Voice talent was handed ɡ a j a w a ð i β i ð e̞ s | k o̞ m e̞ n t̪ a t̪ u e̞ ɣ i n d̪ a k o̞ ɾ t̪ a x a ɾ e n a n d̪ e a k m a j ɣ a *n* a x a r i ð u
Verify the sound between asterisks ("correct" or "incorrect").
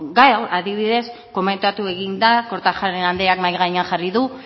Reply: incorrect